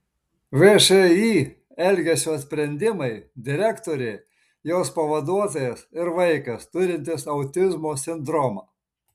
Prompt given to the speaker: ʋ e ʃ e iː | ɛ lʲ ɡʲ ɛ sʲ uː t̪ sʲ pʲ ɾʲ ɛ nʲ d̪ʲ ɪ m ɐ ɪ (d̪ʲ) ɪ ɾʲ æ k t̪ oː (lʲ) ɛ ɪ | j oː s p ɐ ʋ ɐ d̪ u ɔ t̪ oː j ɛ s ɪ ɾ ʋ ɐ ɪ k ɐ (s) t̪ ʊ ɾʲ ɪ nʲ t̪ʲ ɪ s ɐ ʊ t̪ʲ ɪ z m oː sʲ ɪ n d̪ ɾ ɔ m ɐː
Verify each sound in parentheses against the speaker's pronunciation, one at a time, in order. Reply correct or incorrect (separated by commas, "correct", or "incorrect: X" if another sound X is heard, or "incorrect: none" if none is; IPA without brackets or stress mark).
correct, incorrect: ɾʲ, correct